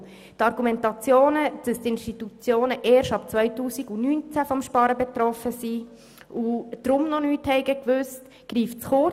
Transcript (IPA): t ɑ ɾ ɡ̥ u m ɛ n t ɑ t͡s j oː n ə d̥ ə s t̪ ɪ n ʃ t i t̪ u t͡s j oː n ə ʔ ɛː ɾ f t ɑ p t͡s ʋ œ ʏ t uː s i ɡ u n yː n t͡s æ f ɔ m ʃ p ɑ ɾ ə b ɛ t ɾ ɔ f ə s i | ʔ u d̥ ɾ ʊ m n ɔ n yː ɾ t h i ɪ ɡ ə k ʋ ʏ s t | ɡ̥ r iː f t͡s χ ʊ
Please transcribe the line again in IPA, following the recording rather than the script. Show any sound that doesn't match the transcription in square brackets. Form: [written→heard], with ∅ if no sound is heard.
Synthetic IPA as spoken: t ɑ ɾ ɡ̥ u m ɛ n t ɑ t͡s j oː n ə d̥ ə s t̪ ɪ n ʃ t i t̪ u t͡s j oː n ə ʔ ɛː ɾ [f→ʃ] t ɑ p t͡s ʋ œ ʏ t uː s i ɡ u n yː n t͡s æ f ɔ m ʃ p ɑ ɾ ə b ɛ t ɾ ɔ f ə s i | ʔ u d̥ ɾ ʊ m n ɔ n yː [ɾ→∅] t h [i→ɛ] ɪ ɡ ə k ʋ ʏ s t | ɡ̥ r iː f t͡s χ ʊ